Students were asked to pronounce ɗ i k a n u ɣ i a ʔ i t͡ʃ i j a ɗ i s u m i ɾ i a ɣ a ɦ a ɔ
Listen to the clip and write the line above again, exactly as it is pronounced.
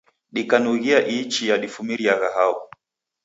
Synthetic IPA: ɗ i k a n u ɣ i a ʔ i t͡ʃ i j a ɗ i f u m i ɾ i a ɣ a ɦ a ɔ